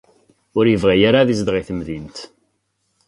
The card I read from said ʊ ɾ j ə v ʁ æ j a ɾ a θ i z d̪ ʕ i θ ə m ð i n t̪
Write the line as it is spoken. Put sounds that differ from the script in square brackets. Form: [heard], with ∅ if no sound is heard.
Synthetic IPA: ʊ ɾ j ə v ʁ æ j a ɾ a [ð] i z d̪ [ʁ] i θ ə m ð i n t̪